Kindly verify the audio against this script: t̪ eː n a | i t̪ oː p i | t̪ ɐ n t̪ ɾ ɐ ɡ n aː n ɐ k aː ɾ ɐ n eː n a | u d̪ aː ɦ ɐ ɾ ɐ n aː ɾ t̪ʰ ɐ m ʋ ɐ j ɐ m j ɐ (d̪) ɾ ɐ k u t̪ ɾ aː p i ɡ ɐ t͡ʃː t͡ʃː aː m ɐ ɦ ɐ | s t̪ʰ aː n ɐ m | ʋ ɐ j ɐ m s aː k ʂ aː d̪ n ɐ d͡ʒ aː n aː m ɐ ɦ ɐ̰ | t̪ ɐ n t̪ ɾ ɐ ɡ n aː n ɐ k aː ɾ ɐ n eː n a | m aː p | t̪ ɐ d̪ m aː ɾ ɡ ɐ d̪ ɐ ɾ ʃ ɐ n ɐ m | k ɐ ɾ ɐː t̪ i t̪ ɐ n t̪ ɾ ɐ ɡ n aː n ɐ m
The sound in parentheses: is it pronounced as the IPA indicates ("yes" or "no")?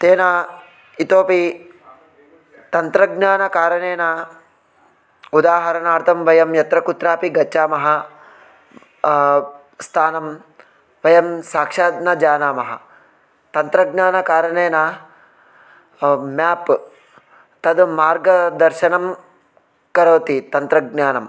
no